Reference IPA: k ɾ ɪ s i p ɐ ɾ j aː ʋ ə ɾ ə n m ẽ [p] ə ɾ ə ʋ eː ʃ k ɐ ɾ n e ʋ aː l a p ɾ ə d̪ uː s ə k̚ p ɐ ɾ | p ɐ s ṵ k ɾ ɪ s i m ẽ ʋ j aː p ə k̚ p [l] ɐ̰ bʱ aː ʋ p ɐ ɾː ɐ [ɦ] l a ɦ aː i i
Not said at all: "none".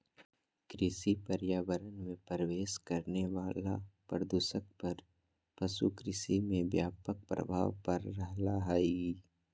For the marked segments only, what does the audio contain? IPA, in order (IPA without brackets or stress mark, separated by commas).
p, ɾ, ɦ